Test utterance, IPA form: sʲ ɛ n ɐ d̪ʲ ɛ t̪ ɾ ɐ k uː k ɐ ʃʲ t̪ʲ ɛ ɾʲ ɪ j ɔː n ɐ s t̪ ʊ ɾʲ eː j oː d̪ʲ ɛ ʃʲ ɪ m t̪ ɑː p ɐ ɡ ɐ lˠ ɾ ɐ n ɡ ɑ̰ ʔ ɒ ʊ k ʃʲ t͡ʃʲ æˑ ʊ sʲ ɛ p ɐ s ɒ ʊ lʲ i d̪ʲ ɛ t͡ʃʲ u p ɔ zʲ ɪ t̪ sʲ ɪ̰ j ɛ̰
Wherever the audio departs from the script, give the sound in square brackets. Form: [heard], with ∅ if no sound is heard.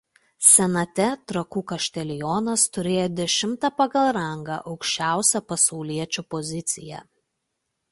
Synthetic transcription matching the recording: sʲ ɛ n ɐ [t̪ʲ] ɛ t̪ ɾ ɐ k uː k ɐ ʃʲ t̪ʲ ɛ [lʲ] ɪ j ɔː n ɐ s t̪ ʊ ɾʲ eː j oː d̪ʲ ɛ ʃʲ ɪ m t̪ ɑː p ɐ ɡ ɐ lˠ ɾ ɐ [ŋ] ɡ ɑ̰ ʔ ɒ ʊ k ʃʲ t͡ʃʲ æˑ ʊ sʲ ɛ p ɐ s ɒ ʊ lʲ i [∅] ɛ t͡ʃʲ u p ɔ zʲ ɪ t̪ sʲ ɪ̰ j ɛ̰